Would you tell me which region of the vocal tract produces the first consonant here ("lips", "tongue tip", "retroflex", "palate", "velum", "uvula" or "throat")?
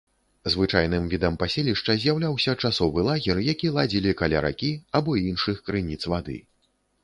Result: tongue tip